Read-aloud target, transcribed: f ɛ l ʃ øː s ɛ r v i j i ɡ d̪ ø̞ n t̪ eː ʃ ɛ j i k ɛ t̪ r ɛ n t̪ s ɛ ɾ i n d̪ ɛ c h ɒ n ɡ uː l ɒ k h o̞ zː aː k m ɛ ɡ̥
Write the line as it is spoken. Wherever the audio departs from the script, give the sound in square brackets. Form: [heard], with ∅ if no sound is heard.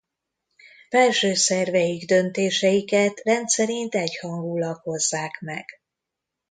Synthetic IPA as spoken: f ɛ l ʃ øː s ɛ r v [ɛ] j i ɡ d̪ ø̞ n t̪ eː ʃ ɛ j i k ɛ t̪ r ɛ n t̪ s ɛ ɾ i n [t̪] ɛ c h ɒ [ŋ] ɡ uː l ɒ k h o̞ zː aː k m ɛ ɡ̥

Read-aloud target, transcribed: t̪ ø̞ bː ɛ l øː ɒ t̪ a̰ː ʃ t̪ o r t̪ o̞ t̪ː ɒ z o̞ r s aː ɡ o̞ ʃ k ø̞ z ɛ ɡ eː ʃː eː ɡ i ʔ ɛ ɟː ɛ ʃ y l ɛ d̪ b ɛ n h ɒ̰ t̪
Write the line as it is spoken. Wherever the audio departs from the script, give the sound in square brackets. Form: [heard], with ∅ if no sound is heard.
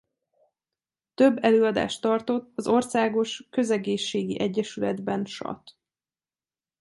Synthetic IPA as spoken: t̪ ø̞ bː ɛ l øː ɒ [d̪] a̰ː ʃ t̪ [ɒ] r t̪ o̞ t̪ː ɒ z o̞ r s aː ɡ o̞ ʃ k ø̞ z ɛ ɡ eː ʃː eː ɡ i ʔ ɛ ɟː ɛ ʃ y l ɛ d̪ b ɛ n [ʃ] ɒ̰ t̪

